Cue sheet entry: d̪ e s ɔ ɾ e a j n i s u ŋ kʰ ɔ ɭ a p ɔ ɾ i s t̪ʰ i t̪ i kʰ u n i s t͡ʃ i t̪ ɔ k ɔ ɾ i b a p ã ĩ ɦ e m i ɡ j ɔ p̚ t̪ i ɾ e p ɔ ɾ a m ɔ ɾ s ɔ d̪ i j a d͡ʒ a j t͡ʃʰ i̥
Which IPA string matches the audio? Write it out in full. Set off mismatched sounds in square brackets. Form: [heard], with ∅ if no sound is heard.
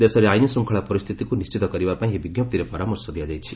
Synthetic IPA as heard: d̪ e s ɔ ɾ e a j n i s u ŋ kʰ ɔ ɭ a p ɔ ɾ i s t̪ʰ i t̪ i [k] u n i s t͡ʃ i t̪ ɔ k ɔ ɾ i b a p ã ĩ ɦ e [b] i ɡ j ɔ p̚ t̪ i ɾ e p ɔ ɾ a m ɔ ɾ s ɔ d̪ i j a d͡ʒ a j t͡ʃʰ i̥